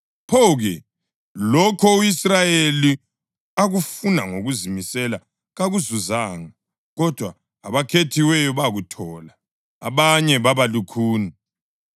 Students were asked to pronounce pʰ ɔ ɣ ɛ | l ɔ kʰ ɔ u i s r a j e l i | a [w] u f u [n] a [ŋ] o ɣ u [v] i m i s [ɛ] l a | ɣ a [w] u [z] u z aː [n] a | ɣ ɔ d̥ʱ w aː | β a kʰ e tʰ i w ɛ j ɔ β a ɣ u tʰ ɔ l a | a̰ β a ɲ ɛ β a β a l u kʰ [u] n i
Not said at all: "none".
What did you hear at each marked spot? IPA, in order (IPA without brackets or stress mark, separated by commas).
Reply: ɣ, n, ŋ, z, ɛ, ɣ, z, ŋ, uː